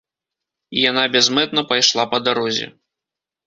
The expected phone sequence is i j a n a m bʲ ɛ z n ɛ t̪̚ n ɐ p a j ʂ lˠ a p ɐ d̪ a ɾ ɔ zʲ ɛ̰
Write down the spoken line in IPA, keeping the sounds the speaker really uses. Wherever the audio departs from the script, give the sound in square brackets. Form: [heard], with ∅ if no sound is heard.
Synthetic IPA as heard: i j a n a [∅] bʲ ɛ z [m] ɛ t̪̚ n ɐ p a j ʂ lˠ a p ɐ d̪ a ɾ ɔ zʲ ɛ̰